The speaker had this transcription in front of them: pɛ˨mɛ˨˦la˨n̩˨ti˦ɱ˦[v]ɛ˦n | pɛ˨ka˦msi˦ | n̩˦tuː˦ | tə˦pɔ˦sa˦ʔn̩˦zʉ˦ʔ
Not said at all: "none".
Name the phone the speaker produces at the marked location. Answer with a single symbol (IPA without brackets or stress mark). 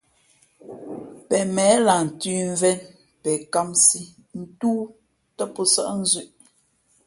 v